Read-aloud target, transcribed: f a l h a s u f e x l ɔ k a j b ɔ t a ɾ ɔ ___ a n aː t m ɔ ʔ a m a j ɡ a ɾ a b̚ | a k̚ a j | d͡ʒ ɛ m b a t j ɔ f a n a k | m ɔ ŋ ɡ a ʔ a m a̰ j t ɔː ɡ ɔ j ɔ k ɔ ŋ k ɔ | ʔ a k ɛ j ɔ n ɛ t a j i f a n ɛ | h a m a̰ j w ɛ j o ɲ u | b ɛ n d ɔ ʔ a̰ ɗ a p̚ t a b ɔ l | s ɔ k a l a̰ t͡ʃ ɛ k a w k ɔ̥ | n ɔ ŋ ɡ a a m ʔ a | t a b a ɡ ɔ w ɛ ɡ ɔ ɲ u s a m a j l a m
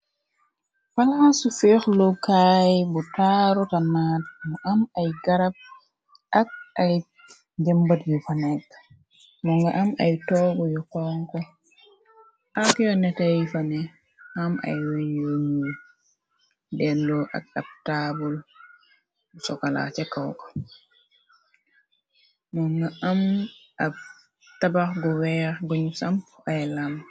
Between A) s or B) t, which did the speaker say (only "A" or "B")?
B